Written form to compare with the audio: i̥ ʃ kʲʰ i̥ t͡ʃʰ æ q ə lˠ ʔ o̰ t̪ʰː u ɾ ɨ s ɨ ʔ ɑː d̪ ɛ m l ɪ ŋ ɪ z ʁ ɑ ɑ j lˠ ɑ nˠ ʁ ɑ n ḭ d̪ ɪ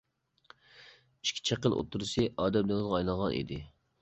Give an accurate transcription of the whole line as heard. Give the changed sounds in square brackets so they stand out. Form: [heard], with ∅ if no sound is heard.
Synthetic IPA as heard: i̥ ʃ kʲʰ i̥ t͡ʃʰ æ q ə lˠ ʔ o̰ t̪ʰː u ɾ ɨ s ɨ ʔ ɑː d̪ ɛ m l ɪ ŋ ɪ z ʁ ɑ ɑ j lˠ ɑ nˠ ʁ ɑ n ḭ d̪ ɪ